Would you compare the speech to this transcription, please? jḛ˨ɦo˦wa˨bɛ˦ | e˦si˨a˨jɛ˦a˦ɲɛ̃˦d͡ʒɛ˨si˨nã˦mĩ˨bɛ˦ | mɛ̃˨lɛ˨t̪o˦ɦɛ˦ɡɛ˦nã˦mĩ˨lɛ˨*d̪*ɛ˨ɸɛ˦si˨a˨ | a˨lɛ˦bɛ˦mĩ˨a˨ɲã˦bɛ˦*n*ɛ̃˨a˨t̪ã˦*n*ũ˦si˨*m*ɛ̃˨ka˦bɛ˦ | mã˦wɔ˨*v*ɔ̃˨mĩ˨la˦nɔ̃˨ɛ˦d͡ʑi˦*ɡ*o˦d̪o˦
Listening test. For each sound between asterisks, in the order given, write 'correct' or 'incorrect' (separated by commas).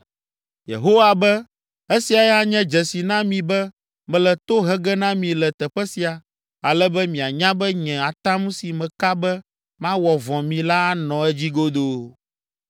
incorrect, incorrect, incorrect, correct, correct, correct